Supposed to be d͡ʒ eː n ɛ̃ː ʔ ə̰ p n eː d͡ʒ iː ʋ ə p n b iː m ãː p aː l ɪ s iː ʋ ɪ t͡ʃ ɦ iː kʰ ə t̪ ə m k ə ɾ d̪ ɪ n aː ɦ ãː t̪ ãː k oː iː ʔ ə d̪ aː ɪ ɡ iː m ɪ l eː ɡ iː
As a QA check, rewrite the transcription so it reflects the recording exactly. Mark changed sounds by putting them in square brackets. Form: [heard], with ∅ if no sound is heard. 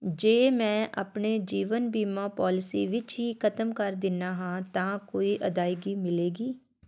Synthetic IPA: d͡ʒ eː [m] ɛ̃ː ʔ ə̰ p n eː d͡ʒ iː ʋ ə [∅] n b iː m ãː p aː l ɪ s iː ʋ ɪ t͡ʃ ɦ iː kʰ ə t̪ ə m k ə ɾ d̪ ɪ n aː ɦ ãː t̪ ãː k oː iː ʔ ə d̪ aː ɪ ɡ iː m ɪ l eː ɡ iː

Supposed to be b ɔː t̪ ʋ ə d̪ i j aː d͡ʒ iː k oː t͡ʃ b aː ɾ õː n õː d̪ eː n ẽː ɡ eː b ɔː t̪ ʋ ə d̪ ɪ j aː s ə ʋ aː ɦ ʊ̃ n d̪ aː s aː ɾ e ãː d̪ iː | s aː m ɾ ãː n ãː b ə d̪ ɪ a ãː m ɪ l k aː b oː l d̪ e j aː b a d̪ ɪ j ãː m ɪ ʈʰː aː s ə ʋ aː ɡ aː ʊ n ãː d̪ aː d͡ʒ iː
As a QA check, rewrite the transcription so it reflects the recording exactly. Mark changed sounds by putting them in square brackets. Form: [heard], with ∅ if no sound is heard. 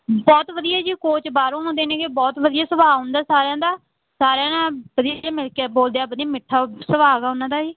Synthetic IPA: b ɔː t̪ ʋ ə d̪ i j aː d͡ʒ iː k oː t͡ʃ b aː ɾ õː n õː d̪ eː n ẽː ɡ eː b ɔː t̪ ʋ ə d̪ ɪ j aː s ə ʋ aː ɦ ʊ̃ n d̪ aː s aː ɾ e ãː d̪ [aː] | s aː [∅] ɾ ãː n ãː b ə d̪ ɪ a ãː m ɪ l k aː b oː l d̪ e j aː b [ə] d̪ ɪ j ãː m ɪ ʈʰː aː s ə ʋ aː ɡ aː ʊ n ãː d̪ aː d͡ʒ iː

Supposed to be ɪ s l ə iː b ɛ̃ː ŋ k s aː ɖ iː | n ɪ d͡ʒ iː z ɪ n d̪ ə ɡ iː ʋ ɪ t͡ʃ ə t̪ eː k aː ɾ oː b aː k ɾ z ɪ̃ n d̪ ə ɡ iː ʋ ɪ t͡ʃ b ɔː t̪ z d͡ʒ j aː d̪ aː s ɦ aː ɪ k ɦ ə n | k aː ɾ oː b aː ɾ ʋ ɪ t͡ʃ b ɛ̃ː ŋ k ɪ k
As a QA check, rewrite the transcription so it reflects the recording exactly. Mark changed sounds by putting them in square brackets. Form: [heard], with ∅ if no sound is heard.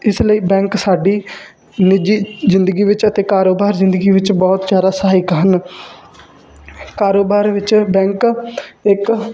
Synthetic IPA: ɪ s l ə iː b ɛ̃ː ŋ k s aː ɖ iː | n ɪ d͡ʒ iː z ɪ n d̪ ə ɡ iː ʋ ɪ t͡ʃ ə t̪ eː k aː ɾ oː b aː [∅] ɾ z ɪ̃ n d̪ ə ɡ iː ʋ ɪ t͡ʃ b ɔː t̪ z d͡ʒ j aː d̪ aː s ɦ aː ɪ k ɦ ə n | k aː ɾ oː b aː ɾ ʋ ɪ t͡ʃ b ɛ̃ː ŋ k ɪ k

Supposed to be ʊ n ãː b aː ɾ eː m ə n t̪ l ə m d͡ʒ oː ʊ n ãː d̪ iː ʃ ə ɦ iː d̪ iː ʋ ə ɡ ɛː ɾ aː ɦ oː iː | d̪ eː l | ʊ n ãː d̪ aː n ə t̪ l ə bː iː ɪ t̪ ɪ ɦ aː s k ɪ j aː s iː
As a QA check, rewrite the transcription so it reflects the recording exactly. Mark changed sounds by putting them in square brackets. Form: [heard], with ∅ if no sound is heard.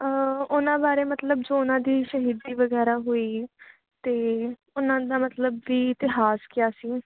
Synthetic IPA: ʊ n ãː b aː ɾ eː m ə [∅] t̪ l ə [b] d͡ʒ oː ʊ n ãː d̪ iː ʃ ə ɦ iː d̪ iː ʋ ə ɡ ɛː ɾ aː ɦ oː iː | [t̪] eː [∅] | ʊ n ãː d̪ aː [m] ə t̪ l ə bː iː ɪ t̪ ɪ ɦ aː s k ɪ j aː s iː

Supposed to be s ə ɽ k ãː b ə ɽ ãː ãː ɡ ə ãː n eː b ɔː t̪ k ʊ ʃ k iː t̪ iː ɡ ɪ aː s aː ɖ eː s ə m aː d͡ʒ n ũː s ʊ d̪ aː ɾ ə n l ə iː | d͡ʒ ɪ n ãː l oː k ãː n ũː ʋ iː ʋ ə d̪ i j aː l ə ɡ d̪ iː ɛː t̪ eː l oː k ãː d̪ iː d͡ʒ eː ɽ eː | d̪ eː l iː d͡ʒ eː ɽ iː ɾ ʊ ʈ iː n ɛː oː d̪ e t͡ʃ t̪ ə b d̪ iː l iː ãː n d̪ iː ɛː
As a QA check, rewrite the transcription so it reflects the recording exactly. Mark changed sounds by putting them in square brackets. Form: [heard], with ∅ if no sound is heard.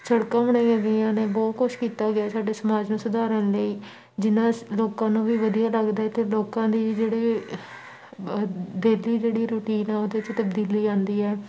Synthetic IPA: s ə ɽ k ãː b ə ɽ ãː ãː ɡ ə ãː n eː b ɔː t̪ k ʊ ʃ k iː t̪ [aː] ɡ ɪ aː s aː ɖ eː s ə m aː d͡ʒ n ũː s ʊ d̪ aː ɾ ə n l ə iː | d͡ʒ ɪ n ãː l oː k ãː n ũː ʋ iː ʋ ə d̪ i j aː l ə ɡ d̪ [aː] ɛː t̪ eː l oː k ãː d̪ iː d͡ʒ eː ɽ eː | d̪ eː l iː d͡ʒ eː ɽ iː ɾ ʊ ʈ iː n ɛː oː d̪ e t͡ʃ t̪ ə b d̪ iː l iː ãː n d̪ iː ɛː

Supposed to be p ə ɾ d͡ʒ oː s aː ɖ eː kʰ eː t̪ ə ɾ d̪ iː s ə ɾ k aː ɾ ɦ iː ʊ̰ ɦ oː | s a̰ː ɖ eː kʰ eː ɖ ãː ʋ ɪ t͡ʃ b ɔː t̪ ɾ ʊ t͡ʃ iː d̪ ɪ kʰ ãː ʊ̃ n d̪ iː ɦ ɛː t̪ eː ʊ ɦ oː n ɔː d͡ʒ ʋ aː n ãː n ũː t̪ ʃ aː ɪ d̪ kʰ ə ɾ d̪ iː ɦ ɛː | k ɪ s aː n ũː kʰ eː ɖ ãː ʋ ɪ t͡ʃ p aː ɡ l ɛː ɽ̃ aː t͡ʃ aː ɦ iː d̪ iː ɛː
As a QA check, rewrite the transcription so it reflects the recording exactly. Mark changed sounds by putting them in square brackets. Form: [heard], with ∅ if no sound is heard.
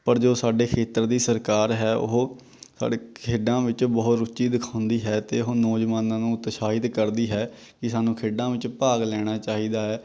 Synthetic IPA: p ə ɾ d͡ʒ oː s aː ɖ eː kʰ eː t̪ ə ɾ d̪ iː s ə ɾ k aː ɾ ɦ [ɛː] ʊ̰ ɦ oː | s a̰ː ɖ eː kʰ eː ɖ ãː ʋ ɪ t͡ʃ b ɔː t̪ ɾ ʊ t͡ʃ iː d̪ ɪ kʰ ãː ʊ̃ n d̪ iː ɦ ɛː t̪ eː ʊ ɦ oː n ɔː d͡ʒ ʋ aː n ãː n ũː t̪ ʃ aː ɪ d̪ [k] ə ɾ d̪ iː ɦ ɛː | k ɪ s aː n ũː kʰ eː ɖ ãː ʋ ɪ t͡ʃ p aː ɡ l ɛː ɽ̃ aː t͡ʃ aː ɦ iː d̪ [aː] ɛː

